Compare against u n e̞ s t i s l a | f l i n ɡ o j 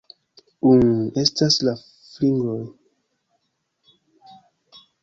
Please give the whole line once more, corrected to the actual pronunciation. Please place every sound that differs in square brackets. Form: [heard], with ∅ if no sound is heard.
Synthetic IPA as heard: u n e̞ s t [a] s l a | f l i [ŋ] ɡ o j

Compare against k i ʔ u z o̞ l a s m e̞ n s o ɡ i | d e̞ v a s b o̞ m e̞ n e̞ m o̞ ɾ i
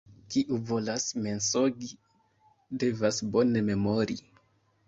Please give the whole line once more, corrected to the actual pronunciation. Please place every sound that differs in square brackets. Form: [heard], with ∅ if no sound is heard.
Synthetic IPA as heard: k i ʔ u [v] o̞ l a s m e̞ n s o ɡ i | d e̞ v a s b o̞ [n] e̞ [m] e̞ m o̞ ɾ i

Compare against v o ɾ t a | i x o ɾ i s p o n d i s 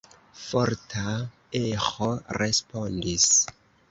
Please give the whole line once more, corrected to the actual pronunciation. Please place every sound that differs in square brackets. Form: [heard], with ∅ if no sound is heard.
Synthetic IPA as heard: [f] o ɾ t a | [e] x o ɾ [e] s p o n d i s

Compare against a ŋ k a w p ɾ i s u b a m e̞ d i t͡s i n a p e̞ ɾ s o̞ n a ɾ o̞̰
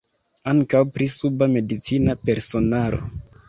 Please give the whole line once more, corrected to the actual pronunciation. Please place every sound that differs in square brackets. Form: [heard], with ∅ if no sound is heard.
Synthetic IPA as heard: a ŋ k a w p ɾ i s u b a m e̞ d i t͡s i n a p e̞ ɾ s o̞ n a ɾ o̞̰

